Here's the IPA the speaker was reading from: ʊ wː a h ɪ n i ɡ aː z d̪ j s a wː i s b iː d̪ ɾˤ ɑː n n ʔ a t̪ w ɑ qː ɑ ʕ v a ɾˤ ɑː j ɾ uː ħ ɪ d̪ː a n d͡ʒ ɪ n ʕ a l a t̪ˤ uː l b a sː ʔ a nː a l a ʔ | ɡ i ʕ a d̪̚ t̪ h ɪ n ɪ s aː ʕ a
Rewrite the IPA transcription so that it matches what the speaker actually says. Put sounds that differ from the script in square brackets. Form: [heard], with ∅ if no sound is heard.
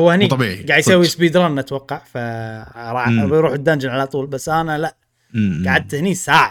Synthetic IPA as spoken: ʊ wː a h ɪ n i ɡ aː [ʕ] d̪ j s a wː i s b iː d̪ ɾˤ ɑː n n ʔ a t̪ w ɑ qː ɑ ʕ [f] a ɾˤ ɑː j ɾ uː ħ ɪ d̪ː a n d͡ʒ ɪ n ʕ a l a t̪ˤ uː l b a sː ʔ a [n] a l a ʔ | ɡ [a] ʕ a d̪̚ t̪ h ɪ n [i] s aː ʕ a